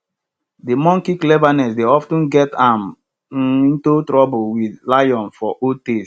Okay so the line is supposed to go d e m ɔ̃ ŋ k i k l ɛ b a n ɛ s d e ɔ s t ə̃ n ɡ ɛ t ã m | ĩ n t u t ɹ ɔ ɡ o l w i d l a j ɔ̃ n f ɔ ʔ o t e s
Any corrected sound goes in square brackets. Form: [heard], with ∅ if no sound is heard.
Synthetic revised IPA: d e m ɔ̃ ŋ k i k l ɛ [v] a n ɛ s d e ɔ [f] t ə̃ n ɡ ɛ t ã m | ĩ n t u t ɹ ɔ [b] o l w i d l a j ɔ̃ n f ɔ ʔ o t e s